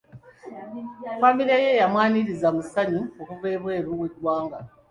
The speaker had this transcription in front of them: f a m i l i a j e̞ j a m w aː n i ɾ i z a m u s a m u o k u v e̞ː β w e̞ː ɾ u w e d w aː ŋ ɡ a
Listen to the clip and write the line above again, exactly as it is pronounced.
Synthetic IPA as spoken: f a m i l i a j e̞ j a m w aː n i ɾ i z a m u s a ɲ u o k u v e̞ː β w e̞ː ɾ u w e d w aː ŋ ɡ a